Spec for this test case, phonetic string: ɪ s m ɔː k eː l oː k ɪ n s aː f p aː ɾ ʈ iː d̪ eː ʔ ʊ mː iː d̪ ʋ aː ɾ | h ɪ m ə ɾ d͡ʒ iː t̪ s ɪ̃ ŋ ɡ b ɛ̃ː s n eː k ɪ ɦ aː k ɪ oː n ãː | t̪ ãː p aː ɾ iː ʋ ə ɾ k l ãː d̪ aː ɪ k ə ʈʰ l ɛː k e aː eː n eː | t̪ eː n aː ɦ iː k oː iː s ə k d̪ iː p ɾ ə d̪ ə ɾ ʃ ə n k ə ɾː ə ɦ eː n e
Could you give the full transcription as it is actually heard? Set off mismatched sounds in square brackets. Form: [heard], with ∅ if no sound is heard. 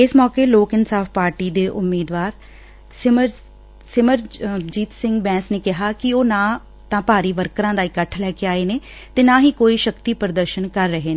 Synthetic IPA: ɪ s m ɔː k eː l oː k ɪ n s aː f p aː ɾ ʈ iː d̪ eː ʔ ʊ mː iː d̪ ʋ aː ɾ | [s] ɪ m ə ɾ d͡ʒ iː t̪ s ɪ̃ ŋ ɡ b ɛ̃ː s n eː k ɪ ɦ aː k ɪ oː n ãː | t̪ ãː p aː ɾ iː ʋ ə ɾ k [ɾ] ãː d̪ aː ɪ k ə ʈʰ l ɛː k e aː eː n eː | t̪ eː n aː ɦ iː k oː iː [ʃ] ə k [t̪] iː p ɾ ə d̪ ə ɾ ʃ ə n k ə ɾː ə ɦ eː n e

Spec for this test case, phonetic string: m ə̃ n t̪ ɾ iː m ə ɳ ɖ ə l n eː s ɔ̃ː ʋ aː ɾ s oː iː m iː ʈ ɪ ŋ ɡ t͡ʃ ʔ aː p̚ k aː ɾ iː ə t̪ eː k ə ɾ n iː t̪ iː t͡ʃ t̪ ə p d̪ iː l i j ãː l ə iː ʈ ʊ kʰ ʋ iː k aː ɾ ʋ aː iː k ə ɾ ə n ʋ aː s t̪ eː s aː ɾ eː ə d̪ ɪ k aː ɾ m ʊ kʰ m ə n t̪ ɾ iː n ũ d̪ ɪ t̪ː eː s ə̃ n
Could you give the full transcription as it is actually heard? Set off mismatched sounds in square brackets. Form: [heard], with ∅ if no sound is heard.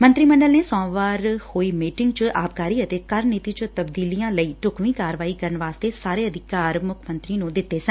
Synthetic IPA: m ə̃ n t̪ ɾ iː m ə ɳ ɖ ə l n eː s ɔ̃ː ʋ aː ɾ [h] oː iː m iː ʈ ɪ ŋ ɡ t͡ʃ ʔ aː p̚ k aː ɾ iː ə t̪ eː k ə ɾ n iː t̪ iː t͡ʃ t̪ ə [b] d̪ iː l i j ãː l ə iː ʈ ʊ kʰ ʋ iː k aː ɾ ʋ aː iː k ə ɾ ə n ʋ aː s t̪ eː s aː ɾ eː ə d̪ ɪ k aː ɾ m ʊ kʰ m ə n t̪ ɾ iː n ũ d̪ ɪ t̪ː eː s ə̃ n

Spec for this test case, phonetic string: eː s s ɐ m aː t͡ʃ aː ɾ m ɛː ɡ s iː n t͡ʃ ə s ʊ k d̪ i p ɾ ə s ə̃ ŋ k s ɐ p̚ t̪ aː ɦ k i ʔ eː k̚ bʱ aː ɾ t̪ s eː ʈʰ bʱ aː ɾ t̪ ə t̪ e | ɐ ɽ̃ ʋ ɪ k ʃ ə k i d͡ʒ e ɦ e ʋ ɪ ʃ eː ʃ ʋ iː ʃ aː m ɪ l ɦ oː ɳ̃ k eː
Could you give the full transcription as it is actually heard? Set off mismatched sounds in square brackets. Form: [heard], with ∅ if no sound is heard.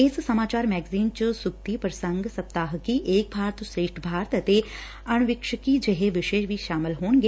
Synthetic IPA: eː s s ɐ m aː t͡ʃ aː ɾ m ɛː ɡ [z] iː n t͡ʃ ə s ʊ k [t̪] i p ɾ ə s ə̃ ŋ [ɡ] s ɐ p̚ t̪ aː ɦ k i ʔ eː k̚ bʱ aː ɾ t̪ s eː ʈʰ bʱ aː ɾ t̪ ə t̪ e | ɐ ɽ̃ ʋ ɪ k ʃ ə k i d͡ʒ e ɦ e ʋ ɪ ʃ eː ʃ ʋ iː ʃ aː m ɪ l ɦ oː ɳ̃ [ɡ] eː

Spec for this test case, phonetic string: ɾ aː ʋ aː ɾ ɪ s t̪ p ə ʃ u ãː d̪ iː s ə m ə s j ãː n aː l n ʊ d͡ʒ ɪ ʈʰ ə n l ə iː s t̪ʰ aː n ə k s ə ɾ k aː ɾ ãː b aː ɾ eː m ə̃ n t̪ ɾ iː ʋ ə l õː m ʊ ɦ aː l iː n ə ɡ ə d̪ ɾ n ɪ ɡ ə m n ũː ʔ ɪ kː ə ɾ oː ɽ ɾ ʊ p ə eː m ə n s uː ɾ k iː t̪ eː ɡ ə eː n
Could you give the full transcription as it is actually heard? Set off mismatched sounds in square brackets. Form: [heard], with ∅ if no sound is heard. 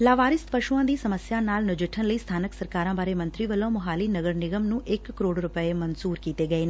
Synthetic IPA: [l] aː ʋ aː ɾ ɪ s t̪ p ə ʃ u ãː d̪ iː s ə m ə s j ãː n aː l n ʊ d͡ʒ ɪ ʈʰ ə n l ə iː s t̪ʰ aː n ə k s ə ɾ k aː ɾ ãː b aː ɾ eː m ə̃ n t̪ ɾ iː ʋ ə l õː m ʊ ɦ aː l iː n ə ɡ ə [∅] ɾ n ɪ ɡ ə m n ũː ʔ ɪ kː ə ɾ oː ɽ ɾ ʊ p ə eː m ə n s uː ɾ k iː t̪ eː ɡ ə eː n

